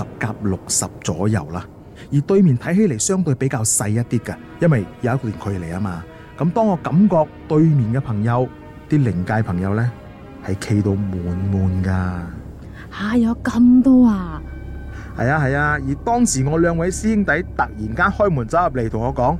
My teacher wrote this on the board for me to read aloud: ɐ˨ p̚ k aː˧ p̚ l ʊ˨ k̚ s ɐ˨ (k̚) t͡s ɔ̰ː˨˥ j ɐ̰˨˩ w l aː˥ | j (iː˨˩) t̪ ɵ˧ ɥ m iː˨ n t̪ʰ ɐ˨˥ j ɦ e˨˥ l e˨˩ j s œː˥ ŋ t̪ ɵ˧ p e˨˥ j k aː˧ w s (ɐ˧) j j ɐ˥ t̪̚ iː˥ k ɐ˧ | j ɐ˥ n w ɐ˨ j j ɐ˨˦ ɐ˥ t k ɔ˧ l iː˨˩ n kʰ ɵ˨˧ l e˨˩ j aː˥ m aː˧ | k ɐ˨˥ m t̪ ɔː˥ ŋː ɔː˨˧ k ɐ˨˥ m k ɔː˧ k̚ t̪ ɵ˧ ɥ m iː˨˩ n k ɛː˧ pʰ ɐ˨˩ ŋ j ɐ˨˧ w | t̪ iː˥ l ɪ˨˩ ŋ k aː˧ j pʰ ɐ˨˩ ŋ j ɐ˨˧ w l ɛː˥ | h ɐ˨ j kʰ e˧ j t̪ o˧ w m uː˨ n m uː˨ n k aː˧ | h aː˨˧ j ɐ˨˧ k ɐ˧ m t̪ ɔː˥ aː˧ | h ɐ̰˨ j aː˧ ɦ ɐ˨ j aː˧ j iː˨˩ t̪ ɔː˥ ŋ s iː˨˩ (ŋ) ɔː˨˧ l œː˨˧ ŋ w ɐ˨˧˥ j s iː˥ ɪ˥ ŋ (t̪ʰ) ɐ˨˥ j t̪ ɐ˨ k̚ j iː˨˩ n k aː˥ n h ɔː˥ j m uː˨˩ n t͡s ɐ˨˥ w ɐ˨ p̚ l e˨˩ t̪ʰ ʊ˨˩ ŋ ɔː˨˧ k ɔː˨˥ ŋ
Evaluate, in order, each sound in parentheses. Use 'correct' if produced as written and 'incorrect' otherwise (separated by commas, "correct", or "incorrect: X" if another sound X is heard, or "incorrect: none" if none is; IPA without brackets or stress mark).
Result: incorrect: p̚, correct, correct, correct, incorrect: t̪